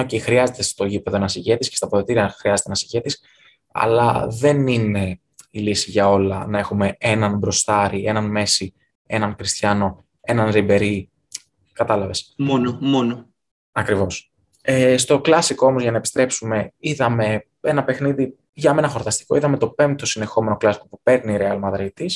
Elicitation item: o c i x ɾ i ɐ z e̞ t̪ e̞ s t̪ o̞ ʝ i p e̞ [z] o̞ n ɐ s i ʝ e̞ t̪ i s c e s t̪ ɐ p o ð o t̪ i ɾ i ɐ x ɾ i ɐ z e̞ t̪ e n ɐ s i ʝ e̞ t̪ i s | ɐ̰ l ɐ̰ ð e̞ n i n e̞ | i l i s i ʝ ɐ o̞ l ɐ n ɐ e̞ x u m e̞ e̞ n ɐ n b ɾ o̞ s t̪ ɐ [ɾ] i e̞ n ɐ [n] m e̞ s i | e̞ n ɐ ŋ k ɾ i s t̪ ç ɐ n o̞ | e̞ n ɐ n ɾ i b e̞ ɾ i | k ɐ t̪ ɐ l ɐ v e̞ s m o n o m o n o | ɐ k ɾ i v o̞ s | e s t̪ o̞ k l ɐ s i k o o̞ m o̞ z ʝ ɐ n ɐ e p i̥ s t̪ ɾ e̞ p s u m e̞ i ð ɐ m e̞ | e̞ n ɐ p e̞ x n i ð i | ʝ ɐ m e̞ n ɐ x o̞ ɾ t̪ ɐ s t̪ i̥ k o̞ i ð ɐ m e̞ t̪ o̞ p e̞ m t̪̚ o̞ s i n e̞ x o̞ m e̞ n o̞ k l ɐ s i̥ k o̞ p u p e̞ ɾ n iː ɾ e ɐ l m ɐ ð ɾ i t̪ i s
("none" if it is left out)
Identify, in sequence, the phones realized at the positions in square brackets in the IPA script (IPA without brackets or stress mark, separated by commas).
ð, ɾ, n